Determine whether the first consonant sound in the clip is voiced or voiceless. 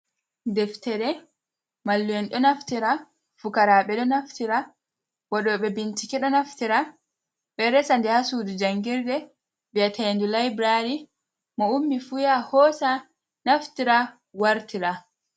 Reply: voiced